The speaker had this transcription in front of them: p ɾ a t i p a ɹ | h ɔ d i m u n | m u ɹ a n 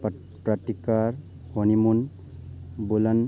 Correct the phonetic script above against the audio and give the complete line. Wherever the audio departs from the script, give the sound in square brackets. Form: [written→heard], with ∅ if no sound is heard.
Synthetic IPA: p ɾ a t i [p→k] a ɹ | h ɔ [d→n] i m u n | [m→b] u [ɹ→l] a n